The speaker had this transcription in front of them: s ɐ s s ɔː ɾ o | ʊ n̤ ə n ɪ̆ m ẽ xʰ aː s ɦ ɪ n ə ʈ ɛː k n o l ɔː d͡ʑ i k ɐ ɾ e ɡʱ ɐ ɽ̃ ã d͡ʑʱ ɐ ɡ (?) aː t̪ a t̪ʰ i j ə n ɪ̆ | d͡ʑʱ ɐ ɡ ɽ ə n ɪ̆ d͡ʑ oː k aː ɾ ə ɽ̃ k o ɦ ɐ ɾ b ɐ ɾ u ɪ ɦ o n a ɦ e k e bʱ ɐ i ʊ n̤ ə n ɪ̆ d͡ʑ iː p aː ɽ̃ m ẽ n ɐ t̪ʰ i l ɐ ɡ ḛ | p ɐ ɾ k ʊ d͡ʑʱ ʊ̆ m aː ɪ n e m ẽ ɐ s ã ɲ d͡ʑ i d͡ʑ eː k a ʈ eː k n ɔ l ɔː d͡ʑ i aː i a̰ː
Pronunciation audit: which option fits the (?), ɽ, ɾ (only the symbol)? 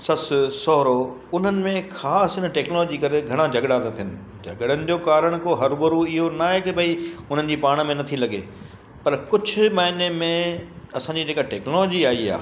ɽ